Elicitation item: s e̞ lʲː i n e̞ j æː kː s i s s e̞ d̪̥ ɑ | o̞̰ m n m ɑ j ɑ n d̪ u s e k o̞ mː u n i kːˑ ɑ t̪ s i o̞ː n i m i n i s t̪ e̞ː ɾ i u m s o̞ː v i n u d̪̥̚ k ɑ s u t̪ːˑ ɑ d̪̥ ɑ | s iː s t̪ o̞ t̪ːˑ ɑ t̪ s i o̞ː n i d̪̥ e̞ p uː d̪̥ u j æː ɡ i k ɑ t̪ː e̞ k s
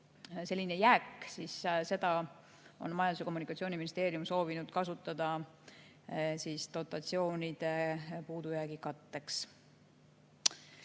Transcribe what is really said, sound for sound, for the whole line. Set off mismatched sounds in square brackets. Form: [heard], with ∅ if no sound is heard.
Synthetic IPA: s e̞ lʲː i n e̞ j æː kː s i s s e̞ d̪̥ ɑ | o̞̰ [∅] n m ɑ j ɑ n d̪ u s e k o̞ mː u n i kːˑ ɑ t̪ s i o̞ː n i m i n i s t̪ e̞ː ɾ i u m s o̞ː v i n u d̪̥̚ k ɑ s u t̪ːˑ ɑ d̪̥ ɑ | s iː s t̪ o̞ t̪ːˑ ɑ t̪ s i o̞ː n i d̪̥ e̞ p uː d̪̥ u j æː ɡ i k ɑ t̪ː e̞ k s